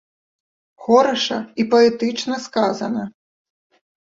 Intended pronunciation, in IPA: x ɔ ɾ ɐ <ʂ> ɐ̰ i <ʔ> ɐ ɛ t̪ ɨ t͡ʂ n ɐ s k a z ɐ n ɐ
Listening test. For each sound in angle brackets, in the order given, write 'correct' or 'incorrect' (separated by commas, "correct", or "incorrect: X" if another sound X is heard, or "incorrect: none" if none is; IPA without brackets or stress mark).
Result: correct, incorrect: p